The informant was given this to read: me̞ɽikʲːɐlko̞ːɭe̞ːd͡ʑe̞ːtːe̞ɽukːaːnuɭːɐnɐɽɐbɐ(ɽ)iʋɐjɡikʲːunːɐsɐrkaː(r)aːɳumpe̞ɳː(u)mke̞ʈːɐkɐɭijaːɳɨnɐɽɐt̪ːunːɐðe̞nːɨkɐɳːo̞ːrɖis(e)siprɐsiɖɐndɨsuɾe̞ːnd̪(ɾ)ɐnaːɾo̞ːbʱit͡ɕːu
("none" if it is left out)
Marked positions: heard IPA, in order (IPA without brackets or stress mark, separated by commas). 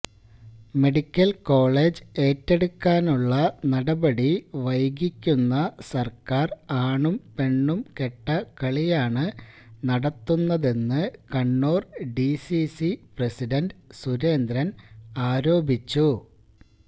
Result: ɽ, r, u, i, ɾ